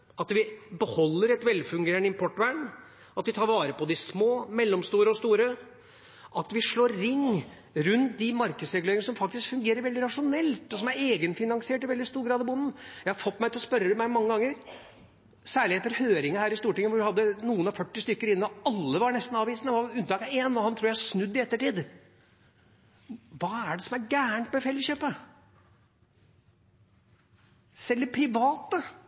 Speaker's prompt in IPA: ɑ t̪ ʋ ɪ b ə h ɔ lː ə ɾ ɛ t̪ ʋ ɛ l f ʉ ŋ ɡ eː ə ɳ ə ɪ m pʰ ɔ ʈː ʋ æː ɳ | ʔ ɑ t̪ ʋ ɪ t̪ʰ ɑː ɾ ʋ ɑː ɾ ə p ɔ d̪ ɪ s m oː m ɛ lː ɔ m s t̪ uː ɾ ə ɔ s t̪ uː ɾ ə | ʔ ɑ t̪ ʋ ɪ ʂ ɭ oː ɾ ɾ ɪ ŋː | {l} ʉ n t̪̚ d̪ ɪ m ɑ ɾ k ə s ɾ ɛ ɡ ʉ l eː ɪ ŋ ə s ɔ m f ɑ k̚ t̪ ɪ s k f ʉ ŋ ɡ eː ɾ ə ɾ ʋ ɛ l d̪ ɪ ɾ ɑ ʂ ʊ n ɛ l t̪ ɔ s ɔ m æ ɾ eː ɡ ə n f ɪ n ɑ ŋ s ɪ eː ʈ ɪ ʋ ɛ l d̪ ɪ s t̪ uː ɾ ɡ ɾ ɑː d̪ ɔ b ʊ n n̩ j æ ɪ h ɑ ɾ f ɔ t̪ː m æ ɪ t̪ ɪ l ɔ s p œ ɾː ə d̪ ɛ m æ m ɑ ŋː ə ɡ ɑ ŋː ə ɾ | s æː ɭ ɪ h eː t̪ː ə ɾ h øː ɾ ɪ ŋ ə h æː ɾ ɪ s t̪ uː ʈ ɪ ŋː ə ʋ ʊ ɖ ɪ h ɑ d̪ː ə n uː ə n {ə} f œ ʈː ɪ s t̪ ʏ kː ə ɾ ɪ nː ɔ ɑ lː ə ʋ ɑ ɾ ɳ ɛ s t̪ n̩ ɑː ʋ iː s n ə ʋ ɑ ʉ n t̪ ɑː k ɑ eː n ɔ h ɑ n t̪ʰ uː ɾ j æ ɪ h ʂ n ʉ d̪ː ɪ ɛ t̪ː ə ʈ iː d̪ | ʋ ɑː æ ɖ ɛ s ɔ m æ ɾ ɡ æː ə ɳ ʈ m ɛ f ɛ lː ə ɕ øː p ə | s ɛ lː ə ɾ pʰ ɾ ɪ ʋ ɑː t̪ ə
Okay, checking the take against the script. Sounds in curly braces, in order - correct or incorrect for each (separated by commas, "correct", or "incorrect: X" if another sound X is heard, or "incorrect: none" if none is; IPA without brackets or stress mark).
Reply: incorrect: ɾ, incorrect: ɑ